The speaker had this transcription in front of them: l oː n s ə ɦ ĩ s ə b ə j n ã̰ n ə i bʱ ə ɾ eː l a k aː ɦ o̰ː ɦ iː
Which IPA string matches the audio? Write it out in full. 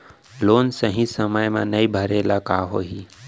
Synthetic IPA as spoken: l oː n s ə ɦ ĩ s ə m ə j m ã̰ n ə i bʱ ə ɾ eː l a k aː ɦ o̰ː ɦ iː